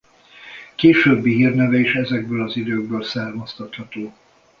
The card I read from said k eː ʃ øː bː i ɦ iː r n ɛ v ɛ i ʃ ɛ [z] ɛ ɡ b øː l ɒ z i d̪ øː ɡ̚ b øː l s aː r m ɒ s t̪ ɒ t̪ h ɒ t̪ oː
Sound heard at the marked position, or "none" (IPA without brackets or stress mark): z